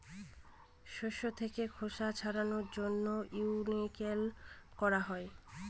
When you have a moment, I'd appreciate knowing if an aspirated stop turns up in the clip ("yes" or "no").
yes